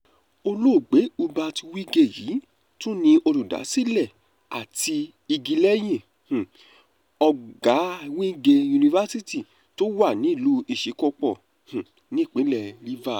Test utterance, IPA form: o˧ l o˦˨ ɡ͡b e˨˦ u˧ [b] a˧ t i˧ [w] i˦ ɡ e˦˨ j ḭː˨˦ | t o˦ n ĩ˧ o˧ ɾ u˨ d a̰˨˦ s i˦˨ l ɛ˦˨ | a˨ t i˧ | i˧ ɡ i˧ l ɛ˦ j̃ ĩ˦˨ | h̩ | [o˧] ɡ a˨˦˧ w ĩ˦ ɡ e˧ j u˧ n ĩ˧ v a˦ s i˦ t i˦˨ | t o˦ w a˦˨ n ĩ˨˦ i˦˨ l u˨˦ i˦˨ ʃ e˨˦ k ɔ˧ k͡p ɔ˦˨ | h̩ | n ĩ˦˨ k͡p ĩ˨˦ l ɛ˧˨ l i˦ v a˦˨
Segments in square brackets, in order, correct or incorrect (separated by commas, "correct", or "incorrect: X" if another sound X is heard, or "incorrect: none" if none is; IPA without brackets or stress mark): correct, correct, incorrect: ɔ˧